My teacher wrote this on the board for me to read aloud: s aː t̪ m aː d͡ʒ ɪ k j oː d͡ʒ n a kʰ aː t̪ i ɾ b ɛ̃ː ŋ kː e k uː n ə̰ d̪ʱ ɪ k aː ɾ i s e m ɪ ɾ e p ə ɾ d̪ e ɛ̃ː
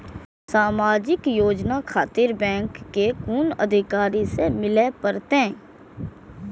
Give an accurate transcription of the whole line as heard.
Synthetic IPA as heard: s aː m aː d͡ʒ ɪ k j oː d͡ʒ n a kʰ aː t̪ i ɾ b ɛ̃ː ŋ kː e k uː n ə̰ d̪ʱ ɪ k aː ɾ i s e m ɪ l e p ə ɾ t̪ e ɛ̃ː